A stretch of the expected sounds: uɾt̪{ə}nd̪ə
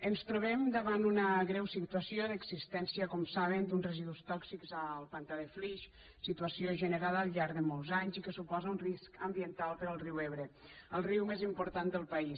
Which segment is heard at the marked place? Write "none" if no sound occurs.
a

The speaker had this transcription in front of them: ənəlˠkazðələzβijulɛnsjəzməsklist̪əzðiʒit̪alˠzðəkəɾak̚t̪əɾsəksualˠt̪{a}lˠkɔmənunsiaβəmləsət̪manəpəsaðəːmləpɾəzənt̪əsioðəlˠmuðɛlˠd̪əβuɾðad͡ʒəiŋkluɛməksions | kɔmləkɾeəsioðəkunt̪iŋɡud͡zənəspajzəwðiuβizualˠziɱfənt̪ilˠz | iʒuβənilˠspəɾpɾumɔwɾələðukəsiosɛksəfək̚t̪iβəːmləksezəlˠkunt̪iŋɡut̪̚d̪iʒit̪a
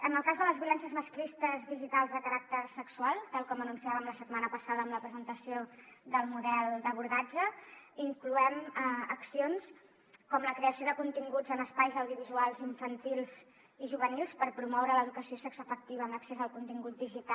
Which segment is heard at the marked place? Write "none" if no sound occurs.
a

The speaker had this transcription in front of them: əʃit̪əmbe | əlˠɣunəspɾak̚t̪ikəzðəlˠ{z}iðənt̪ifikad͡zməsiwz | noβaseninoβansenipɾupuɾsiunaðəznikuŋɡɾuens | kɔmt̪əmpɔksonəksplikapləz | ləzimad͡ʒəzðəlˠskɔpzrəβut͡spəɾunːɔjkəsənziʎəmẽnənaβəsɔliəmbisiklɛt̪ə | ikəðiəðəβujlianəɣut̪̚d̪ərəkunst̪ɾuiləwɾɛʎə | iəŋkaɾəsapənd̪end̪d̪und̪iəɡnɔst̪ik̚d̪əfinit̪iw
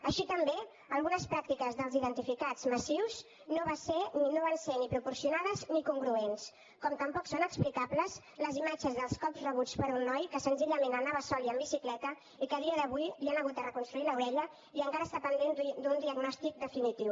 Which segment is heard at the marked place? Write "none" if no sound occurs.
z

